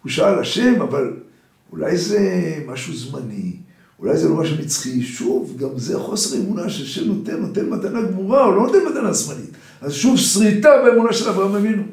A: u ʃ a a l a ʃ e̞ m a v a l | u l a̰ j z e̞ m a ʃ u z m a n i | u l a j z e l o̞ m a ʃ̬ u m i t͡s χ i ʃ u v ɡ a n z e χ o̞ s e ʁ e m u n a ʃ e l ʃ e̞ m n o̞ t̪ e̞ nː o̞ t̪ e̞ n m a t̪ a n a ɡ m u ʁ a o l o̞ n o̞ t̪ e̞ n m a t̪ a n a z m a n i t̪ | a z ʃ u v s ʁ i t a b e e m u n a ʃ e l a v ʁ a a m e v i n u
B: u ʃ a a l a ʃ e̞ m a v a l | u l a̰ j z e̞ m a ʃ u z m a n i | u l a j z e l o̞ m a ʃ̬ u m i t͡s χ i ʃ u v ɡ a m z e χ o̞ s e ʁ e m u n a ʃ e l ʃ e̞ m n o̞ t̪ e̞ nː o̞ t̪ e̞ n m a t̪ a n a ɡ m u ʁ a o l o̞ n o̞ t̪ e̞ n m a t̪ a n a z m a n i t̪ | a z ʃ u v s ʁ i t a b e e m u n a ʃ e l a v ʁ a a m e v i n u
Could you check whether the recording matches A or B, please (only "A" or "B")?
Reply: B